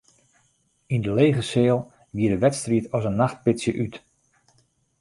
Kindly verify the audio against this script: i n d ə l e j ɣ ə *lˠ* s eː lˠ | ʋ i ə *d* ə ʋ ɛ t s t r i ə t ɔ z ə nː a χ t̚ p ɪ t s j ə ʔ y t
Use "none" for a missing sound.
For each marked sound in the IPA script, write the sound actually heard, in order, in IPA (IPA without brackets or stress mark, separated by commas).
none, d